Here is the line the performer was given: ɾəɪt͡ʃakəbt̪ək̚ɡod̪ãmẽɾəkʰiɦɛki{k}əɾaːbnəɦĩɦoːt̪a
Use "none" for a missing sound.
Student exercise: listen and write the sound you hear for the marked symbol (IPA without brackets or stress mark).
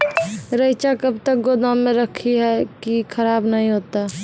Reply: kʰ